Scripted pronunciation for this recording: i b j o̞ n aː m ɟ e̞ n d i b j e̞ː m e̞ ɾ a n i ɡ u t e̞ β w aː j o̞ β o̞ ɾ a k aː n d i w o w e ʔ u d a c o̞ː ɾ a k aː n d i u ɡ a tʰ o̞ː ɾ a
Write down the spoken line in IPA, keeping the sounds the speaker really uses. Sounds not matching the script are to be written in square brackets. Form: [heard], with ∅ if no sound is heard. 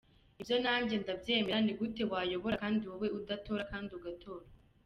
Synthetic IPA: i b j o̞ n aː m ɟ e̞ n d [a] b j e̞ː m e̞ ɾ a n i ɡ u t e̞ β w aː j o̞ β o̞ ɾ a k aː n d i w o w e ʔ u d a [t] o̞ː ɾ a k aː n d i u ɡ a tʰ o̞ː ɾ a